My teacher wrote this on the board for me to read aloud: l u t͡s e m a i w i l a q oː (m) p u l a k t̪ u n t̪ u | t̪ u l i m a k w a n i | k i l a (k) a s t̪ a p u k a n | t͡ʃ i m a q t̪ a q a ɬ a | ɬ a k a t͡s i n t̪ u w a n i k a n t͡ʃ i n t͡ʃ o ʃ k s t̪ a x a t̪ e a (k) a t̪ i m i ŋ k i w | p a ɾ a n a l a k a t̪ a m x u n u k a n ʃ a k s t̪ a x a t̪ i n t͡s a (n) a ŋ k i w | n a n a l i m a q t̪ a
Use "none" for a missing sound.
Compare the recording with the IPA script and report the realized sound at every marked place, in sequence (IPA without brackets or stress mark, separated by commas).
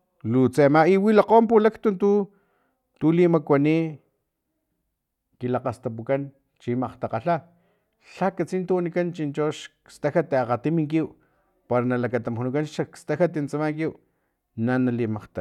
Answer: m, q, q, m